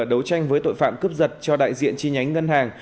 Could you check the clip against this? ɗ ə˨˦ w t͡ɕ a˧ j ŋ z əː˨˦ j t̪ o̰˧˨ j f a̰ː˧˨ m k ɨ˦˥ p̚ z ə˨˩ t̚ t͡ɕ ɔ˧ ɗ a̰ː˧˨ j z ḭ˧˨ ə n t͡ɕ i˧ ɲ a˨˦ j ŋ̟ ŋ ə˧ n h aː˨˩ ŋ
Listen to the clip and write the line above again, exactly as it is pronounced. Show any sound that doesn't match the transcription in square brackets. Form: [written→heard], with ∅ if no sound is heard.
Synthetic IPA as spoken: ɗ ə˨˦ w t͡ɕ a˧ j ŋ [z→v] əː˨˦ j t̪ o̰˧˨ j f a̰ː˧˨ m k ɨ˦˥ p̚ z ə˨˩ t̚ t͡ɕ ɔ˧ ɗ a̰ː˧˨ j z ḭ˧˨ ə n t͡ɕ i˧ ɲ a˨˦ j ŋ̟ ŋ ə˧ n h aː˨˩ ŋ